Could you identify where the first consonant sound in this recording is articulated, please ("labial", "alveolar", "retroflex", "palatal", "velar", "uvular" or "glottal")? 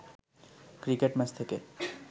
velar